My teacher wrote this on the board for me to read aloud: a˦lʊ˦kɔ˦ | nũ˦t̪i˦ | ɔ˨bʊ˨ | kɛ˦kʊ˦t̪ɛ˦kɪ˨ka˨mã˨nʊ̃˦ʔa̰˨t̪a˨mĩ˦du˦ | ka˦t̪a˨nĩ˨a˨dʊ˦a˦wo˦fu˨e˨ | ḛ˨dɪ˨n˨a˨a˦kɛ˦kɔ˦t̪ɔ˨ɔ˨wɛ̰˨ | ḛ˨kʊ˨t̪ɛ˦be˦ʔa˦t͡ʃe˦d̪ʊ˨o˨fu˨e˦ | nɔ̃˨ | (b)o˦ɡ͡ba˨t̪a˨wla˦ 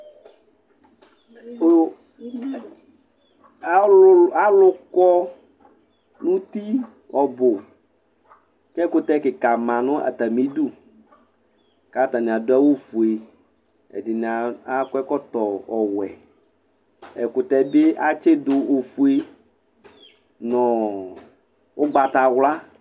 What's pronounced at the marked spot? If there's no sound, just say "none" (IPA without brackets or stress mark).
w